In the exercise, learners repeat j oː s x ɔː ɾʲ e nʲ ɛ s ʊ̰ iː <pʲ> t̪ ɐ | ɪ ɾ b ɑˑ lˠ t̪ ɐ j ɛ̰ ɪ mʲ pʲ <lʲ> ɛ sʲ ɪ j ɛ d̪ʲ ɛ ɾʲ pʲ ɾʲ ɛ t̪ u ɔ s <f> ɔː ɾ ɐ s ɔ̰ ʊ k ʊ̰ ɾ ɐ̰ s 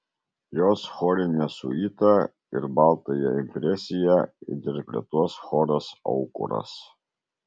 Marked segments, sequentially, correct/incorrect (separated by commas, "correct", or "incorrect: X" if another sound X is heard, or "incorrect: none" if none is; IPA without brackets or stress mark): incorrect: none, incorrect: ɾʲ, incorrect: x